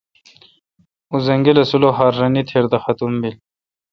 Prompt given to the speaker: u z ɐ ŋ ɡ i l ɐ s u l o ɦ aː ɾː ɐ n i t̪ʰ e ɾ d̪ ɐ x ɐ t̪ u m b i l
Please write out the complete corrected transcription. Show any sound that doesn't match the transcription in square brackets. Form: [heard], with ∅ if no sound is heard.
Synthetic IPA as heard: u z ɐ ŋ ɡ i l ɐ s u l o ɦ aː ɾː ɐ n i t̪ʰ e ɾ d̪ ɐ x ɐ t̪ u m b i l